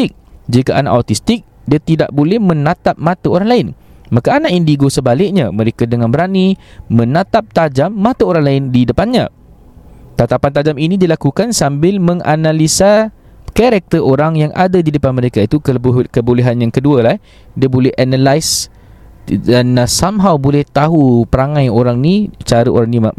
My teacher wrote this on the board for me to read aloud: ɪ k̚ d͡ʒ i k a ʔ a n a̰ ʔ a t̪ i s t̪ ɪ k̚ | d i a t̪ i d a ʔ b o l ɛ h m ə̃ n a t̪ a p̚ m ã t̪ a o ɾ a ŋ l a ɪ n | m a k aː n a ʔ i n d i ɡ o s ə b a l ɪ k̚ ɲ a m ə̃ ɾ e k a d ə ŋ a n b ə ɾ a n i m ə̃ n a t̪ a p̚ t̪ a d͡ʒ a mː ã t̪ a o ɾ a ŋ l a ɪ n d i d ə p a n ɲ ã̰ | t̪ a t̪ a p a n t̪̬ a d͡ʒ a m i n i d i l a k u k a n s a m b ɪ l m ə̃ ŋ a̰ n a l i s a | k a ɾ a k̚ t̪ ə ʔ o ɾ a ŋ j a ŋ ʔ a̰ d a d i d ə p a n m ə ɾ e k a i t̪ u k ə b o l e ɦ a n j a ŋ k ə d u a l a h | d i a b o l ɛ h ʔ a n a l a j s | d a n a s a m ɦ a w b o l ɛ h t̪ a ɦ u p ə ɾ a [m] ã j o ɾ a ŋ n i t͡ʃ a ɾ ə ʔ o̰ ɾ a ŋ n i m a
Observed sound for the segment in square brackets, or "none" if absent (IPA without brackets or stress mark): ŋ